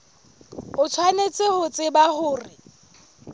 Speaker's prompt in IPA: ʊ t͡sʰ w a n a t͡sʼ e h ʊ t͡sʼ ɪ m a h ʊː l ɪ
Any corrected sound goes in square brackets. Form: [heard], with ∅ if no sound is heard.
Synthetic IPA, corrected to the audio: ʊ t͡sʰ w a n [e] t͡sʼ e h ʊ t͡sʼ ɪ [b] a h ʊː [r] ɪ